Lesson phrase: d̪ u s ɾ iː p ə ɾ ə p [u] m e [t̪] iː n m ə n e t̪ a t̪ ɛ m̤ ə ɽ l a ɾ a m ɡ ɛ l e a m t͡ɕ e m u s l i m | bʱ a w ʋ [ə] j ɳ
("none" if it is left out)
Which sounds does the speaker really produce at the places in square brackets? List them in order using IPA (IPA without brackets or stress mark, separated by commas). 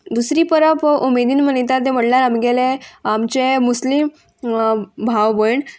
u, d̪, ə